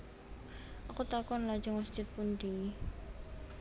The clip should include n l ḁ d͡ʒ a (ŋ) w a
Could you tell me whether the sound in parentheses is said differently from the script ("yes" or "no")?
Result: no